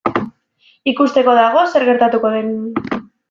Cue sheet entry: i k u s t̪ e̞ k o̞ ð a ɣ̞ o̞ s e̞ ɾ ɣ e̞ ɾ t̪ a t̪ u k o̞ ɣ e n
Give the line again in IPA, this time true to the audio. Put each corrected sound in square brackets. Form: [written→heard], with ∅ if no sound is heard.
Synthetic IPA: i k u s t̪ e̞ k o̞ ð a ɣ̞ o̞ s e̞ ɾ ɣ e̞ ɾ t̪ a t̪ u k o̞ [ɣ→ð] e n